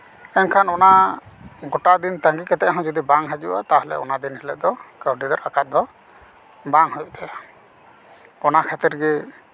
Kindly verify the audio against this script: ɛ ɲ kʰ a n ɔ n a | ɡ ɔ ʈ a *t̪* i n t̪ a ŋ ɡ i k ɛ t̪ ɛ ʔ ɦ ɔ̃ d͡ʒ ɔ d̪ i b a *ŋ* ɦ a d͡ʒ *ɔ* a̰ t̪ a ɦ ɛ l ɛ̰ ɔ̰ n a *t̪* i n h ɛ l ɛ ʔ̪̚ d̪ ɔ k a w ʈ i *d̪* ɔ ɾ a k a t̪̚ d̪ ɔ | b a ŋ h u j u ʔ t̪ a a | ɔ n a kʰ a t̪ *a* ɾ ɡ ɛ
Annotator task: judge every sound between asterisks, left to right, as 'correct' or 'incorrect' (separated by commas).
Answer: incorrect, correct, incorrect, incorrect, correct, incorrect